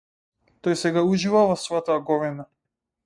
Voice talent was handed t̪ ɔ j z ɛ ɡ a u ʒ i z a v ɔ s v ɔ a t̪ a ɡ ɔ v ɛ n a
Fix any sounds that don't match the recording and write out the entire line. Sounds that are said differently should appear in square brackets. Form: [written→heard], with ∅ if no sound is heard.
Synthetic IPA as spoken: t̪ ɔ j [z→s] ɛ ɡ a u ʒ i [z→v] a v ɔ s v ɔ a t̪ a ɡ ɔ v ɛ n a